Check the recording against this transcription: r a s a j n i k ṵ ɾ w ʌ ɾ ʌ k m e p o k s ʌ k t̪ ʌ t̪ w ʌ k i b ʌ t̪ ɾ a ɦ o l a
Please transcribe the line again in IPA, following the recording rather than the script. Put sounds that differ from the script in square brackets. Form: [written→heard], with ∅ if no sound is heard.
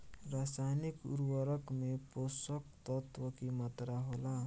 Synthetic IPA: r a s a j n i k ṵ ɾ w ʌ ɾ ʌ k m e p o [k→∅] s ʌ k t̪ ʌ t̪ w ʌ k i [b→m] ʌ t̪ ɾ a ɦ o l a